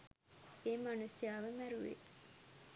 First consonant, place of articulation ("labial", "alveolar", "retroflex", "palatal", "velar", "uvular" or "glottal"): labial